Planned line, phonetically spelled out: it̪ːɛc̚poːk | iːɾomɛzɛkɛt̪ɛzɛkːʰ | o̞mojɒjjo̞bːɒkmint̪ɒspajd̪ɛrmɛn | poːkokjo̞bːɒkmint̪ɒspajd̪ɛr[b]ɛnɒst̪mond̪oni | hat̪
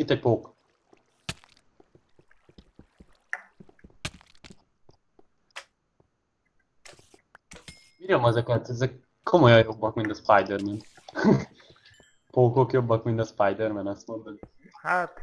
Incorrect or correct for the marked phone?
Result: incorrect: m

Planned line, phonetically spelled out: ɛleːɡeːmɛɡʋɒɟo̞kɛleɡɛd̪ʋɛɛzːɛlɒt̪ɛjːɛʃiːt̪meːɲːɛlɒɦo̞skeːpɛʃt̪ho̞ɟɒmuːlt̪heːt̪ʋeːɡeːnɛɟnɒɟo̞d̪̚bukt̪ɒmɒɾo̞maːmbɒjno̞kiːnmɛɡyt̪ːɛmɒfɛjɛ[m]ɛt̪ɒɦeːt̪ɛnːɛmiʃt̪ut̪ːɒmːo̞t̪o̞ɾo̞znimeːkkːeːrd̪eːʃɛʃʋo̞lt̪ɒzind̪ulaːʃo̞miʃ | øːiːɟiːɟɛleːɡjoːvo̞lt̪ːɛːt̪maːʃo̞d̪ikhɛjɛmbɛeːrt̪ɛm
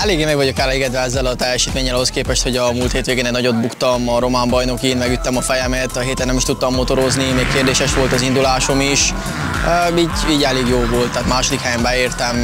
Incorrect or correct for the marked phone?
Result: correct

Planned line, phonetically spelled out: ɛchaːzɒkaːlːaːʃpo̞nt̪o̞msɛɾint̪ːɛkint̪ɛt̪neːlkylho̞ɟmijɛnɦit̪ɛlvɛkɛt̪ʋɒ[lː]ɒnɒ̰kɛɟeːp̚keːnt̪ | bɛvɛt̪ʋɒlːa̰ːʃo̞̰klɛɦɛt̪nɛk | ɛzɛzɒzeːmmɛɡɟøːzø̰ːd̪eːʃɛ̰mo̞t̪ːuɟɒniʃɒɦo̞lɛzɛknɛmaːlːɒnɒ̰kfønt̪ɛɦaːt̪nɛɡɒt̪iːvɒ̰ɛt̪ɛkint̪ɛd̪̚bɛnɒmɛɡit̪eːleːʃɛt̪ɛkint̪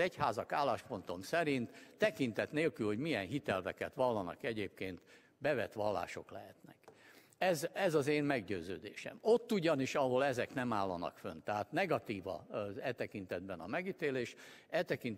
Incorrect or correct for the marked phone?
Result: correct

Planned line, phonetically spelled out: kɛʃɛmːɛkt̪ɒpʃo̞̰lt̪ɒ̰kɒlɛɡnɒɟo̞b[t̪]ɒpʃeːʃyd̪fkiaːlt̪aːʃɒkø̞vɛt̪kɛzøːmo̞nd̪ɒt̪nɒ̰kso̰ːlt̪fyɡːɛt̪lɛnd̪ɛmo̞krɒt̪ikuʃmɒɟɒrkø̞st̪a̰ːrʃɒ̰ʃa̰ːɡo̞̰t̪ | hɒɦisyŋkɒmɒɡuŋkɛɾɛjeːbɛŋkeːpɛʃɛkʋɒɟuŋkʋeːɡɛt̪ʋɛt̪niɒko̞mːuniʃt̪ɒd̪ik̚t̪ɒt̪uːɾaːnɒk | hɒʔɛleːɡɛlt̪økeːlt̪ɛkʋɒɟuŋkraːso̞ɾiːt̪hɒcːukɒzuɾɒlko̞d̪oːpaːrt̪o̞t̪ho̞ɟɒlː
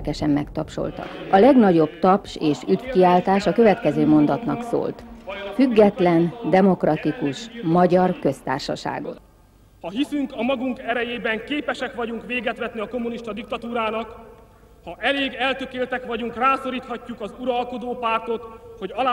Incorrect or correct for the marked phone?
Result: correct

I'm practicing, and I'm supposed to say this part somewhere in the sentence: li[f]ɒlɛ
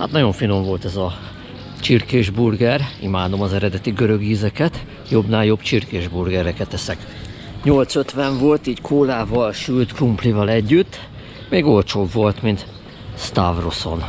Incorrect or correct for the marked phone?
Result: incorrect: v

